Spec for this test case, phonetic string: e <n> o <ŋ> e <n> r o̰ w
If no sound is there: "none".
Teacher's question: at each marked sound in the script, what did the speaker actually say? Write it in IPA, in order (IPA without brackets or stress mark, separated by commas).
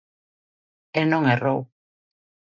n, ŋ, none